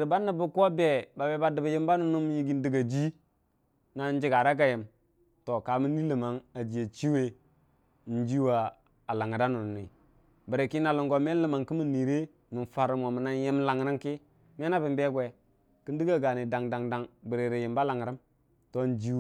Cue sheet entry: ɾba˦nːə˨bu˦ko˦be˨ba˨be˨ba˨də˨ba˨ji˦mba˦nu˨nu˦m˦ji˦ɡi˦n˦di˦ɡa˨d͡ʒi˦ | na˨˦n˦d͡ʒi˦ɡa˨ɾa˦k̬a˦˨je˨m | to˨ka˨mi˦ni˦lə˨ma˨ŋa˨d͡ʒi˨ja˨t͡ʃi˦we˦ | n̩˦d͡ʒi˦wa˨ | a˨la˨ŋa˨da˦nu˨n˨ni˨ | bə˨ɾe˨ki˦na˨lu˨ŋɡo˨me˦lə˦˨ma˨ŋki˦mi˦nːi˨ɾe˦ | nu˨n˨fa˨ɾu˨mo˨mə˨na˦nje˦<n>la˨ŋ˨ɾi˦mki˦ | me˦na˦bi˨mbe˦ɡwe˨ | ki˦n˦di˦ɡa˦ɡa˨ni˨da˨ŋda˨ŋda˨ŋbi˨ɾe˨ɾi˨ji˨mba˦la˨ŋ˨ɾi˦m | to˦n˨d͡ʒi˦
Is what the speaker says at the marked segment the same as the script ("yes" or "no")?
no